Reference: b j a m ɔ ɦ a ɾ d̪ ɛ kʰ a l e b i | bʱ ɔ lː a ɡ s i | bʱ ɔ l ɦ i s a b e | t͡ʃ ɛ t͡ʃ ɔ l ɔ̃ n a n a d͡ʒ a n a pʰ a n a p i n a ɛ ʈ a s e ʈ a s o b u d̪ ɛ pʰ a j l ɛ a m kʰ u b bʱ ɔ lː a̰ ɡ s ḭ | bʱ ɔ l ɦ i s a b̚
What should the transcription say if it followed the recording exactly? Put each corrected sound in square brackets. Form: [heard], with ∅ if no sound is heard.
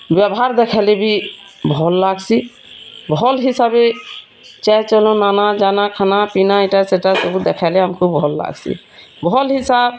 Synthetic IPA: b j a [b] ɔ ɦ a ɾ d̪ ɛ kʰ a l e b i | bʱ ɔ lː a ɡ s i | bʱ ɔ l ɦ i s a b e | t͡ʃ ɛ t͡ʃ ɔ l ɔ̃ n a n a d͡ʒ a n a [kʰ] a n a p i n a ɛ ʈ a s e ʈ a s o b u d̪ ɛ [kʰ] a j l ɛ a m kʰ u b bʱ ɔ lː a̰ ɡ s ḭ | bʱ ɔ l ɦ i s a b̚